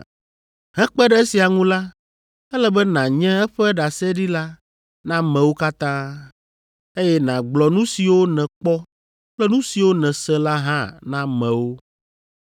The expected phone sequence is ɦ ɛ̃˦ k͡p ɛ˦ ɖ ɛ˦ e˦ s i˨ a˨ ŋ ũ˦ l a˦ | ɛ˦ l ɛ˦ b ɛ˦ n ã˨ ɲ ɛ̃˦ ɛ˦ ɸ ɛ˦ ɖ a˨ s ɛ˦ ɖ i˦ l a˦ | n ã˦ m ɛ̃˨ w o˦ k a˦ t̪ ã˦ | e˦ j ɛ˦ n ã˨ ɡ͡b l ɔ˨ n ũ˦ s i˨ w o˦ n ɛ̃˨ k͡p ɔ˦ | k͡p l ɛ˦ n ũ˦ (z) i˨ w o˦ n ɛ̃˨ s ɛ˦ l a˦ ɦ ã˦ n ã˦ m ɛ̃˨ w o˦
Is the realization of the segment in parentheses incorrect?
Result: yes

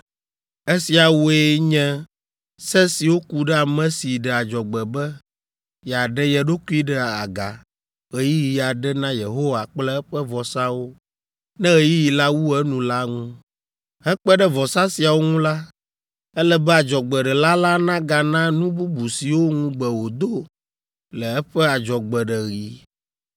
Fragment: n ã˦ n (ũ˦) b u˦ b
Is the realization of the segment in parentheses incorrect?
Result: no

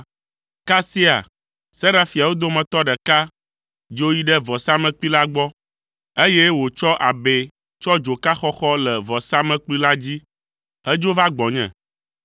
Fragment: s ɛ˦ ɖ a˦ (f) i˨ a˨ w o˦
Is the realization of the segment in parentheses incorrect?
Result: no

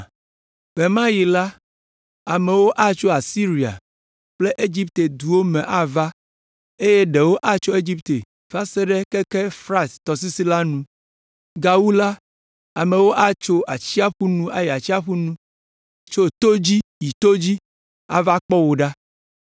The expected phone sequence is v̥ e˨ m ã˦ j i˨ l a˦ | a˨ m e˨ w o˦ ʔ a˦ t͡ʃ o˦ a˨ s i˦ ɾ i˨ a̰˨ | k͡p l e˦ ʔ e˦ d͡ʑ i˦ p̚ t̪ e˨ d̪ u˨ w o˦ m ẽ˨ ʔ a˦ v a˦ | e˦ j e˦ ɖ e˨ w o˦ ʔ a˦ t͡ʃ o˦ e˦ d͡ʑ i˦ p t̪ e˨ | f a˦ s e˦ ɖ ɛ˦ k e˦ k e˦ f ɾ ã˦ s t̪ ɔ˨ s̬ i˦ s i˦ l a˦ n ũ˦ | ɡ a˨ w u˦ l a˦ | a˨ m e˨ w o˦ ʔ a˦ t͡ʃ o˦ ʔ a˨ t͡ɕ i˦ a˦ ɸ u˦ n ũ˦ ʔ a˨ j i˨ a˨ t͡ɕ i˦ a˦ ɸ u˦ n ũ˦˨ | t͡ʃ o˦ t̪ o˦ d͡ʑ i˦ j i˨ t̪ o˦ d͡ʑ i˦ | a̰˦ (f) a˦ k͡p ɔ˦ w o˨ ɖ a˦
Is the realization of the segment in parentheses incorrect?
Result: yes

